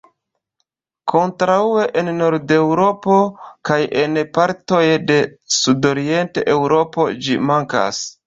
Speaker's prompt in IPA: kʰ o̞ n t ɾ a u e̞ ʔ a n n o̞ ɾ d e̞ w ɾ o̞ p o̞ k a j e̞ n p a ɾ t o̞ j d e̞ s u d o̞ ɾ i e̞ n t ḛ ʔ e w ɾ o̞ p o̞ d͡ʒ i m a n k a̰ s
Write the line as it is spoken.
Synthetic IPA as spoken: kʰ o̞ n t ɾ a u e̞ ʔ e n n o̞ ɾ d e̞ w ɾ o̞ p o̞ k a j e̞ n p a ɾ t o̞ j d e̞ s u d o̞ ɾ i e̞ n t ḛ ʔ e w ɾ o̞ p o̞ d͡ʒ i m a ŋ k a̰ s